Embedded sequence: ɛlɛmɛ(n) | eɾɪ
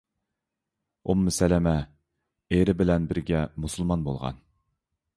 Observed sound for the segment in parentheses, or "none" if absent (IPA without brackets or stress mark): none